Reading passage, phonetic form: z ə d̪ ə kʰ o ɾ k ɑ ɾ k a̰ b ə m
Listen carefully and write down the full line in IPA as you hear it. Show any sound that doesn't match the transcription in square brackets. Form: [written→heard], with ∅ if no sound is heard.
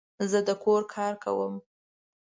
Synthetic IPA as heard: z ə d̪ ə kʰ o ɾ [k→kʰ] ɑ ɾ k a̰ [b→w] ə m